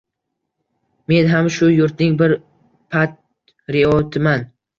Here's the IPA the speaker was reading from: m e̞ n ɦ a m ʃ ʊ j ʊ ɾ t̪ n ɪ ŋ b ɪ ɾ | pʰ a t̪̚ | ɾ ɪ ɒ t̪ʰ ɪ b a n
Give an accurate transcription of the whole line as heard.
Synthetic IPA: m e̞ n ɦ a m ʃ ʊ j ʊ ɾ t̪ n ɪ ŋ b ɪ ɾ | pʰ a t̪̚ | ɾ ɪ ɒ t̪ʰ ɪ m a n